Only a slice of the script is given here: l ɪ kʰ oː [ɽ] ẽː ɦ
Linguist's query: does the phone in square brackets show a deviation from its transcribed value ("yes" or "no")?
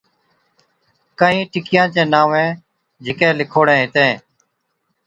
no